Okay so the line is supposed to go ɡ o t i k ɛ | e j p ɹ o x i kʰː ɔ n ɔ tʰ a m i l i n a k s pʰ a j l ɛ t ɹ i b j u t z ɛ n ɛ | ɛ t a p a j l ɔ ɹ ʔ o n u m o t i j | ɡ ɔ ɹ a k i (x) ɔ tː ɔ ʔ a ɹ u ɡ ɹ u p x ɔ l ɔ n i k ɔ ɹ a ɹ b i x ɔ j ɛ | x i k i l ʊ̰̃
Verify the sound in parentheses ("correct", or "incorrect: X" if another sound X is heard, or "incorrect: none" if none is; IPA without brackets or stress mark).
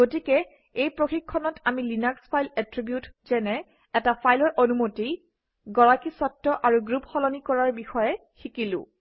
incorrect: s